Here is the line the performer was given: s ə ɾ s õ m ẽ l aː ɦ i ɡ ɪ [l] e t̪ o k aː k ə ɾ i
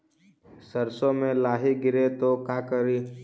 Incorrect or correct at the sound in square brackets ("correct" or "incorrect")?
incorrect